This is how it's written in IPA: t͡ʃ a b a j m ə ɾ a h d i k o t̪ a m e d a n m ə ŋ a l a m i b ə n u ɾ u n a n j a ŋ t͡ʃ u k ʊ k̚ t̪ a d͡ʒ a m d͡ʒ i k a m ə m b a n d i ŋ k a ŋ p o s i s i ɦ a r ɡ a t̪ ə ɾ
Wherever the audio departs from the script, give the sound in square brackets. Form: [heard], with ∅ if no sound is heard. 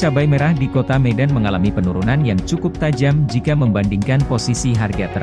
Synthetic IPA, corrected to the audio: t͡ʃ a b a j m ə ɾ a h d i k o t̪ a m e d a n m ə ŋ a l a m i [p] ə n u ɾ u n a n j a ŋ t͡ʃ u k ʊ [p̚] t̪ a d͡ʒ a m d͡ʒ i k a m ə m b a n d i ŋ k a [n] p o s i s i ɦ a r ɡ a t̪ ə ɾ